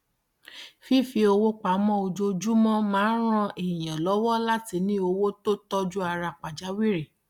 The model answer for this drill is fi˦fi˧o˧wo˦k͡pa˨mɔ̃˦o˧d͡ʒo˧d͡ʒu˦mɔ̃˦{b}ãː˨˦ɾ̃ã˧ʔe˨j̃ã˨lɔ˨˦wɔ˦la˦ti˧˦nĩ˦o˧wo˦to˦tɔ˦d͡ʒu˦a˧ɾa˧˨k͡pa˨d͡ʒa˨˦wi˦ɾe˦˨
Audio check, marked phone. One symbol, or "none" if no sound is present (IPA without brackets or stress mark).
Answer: m